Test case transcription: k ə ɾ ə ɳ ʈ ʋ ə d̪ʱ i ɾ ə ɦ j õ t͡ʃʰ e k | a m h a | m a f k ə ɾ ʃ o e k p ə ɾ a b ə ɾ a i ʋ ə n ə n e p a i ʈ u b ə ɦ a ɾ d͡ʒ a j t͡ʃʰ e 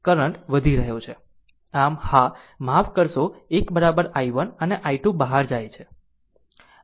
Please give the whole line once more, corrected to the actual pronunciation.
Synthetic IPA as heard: k ə ɾ ə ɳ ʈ ʋ ə d̪ʱ i ɾ ə ɦ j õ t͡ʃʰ e | a m h a | m a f k ə ɾ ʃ o e k b ə ɾ a b ə ɾ a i ʋ ə n ə n e ʔ a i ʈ u b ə ɦ a ɾ d͡ʒ a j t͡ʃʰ e